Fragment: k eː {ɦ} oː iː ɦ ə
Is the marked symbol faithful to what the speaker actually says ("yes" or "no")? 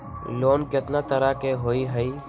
yes